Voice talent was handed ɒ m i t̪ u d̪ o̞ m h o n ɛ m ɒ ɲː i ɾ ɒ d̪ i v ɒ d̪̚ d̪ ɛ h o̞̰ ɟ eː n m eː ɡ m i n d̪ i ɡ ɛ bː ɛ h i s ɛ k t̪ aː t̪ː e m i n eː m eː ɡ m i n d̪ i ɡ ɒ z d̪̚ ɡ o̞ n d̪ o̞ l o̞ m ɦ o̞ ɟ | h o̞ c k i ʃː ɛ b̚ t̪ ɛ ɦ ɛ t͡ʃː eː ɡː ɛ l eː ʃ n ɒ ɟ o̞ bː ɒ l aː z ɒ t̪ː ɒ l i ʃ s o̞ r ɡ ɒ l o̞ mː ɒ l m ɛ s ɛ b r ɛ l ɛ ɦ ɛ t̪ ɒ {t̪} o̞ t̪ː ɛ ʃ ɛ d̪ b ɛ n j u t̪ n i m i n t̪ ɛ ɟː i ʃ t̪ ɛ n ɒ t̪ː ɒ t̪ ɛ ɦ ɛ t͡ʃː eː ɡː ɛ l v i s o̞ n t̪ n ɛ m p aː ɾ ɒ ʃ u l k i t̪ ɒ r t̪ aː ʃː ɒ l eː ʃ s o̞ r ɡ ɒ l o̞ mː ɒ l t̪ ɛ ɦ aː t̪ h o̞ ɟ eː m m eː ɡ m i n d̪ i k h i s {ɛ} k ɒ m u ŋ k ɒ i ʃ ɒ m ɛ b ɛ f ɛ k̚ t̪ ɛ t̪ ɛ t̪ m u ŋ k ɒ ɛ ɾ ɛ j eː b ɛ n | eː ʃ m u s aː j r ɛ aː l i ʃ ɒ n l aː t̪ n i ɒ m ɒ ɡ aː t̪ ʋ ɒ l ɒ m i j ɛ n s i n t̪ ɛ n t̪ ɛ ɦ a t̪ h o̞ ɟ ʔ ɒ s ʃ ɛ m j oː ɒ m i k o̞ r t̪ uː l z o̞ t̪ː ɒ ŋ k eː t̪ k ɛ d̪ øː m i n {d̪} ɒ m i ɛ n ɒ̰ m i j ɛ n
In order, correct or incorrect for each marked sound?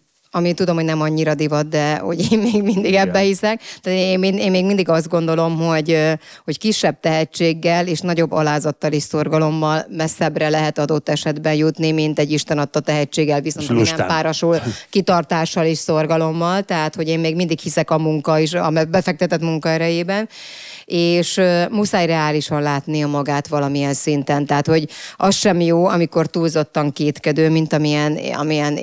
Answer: incorrect, correct, incorrect

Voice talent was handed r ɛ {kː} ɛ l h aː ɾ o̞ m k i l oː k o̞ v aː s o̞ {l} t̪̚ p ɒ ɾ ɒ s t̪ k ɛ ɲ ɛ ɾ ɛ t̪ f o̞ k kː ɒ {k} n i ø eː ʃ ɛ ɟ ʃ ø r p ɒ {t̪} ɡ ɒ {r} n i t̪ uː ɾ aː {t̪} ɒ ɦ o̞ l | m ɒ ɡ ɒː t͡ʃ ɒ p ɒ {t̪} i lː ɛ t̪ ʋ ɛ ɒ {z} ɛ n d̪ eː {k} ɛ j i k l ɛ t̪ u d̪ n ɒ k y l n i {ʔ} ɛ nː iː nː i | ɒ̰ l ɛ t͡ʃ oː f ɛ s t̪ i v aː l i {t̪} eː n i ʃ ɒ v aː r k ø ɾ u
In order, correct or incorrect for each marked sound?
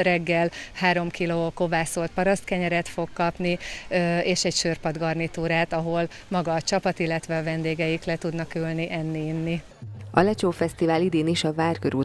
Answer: incorrect, correct, incorrect, incorrect, correct, correct, correct, incorrect, incorrect, correct, incorrect

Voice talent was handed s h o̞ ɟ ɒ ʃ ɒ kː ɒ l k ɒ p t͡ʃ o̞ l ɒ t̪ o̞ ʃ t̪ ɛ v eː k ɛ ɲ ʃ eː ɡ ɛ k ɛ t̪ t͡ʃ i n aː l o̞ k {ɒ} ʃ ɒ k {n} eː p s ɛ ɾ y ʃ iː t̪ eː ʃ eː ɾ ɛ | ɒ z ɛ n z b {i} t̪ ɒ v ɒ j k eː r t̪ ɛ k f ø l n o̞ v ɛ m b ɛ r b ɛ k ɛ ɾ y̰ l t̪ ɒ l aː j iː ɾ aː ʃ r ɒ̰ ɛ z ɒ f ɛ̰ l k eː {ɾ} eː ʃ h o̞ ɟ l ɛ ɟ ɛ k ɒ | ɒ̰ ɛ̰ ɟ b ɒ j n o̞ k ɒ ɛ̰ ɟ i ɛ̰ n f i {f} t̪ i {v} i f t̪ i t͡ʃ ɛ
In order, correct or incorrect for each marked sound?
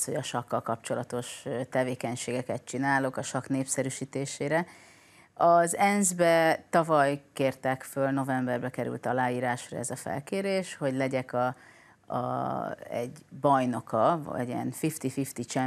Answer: correct, correct, incorrect, correct, correct, incorrect

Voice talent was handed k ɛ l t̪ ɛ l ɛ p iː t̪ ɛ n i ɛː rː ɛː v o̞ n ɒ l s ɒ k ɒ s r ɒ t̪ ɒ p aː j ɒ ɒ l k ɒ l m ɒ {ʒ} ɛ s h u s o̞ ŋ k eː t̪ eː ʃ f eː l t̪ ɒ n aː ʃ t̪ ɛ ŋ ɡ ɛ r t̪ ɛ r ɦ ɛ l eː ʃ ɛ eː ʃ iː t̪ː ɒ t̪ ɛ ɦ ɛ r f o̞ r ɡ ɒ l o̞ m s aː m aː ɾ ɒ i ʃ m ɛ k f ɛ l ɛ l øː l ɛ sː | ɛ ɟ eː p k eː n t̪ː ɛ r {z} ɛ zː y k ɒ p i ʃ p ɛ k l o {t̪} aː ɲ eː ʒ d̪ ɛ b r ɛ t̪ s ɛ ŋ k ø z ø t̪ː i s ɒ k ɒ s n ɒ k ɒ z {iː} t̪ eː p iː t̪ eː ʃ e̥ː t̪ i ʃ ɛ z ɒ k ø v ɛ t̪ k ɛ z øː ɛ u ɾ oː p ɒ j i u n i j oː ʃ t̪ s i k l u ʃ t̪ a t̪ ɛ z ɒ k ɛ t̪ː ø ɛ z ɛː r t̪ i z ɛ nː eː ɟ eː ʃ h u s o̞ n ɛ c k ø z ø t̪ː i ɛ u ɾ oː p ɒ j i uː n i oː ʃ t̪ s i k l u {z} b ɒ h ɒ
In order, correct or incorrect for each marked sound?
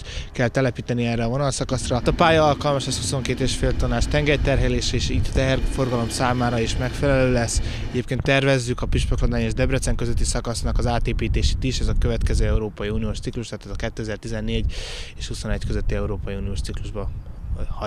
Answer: incorrect, incorrect, incorrect, incorrect, incorrect

